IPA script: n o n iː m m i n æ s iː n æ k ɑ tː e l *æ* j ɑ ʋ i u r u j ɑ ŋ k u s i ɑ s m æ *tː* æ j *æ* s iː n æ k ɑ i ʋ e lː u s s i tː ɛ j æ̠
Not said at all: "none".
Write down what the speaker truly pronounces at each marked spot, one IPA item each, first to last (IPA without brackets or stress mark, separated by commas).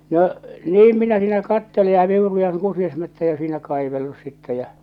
e, tː, æ